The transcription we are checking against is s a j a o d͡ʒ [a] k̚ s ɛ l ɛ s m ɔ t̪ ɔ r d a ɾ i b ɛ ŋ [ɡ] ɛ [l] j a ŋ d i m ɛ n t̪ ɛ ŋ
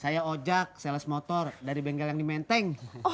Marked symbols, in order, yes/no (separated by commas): yes, yes, yes